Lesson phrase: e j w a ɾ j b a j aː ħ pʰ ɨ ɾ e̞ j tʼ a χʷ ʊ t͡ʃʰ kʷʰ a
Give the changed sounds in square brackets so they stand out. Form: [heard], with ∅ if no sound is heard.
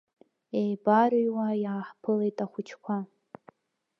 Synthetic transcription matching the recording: e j [b] a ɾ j [w] a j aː ħ pʰ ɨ [l] e̞ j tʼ a χʷ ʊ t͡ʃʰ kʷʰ a